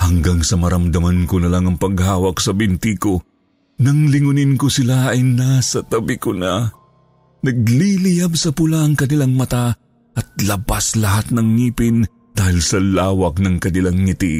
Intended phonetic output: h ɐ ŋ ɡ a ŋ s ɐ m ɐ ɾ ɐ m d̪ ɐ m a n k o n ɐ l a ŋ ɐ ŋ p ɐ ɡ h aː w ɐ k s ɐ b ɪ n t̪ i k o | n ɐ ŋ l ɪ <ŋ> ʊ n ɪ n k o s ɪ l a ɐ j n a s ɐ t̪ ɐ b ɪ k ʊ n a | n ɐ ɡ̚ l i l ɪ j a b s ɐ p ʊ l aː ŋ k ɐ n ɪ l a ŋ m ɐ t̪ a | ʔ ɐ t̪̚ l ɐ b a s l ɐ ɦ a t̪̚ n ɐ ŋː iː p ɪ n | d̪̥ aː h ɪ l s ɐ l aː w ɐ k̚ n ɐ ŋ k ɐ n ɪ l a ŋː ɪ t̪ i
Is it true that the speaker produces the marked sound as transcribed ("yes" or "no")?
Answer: yes